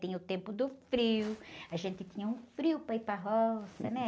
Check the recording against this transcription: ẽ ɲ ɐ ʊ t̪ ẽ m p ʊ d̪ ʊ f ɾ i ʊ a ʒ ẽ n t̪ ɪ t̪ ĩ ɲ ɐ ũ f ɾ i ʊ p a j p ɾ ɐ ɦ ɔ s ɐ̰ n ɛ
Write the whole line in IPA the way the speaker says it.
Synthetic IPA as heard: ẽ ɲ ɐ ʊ t̪ ẽ m p ʊ d̪ ʊ f ɾ i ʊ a ʒ ẽ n t̪ ɪ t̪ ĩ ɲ ɐ ũ f ɾ i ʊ p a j p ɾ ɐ ɦ ɔ s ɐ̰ n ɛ